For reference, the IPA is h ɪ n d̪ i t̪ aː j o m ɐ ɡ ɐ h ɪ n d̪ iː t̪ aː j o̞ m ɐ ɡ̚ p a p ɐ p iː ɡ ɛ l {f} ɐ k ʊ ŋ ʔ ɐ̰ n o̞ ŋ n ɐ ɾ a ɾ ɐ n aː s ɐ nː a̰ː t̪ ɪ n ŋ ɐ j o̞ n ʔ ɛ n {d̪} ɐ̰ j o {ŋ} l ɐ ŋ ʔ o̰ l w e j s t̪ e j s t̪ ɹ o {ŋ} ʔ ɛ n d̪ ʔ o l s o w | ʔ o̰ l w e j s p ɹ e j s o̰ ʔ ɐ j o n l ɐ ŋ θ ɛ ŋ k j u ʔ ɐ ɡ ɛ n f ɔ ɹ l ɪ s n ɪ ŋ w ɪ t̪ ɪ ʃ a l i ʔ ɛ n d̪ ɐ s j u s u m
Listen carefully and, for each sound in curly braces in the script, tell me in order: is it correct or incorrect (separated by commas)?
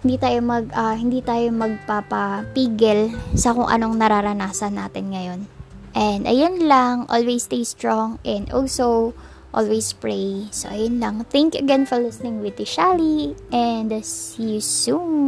incorrect, correct, incorrect, correct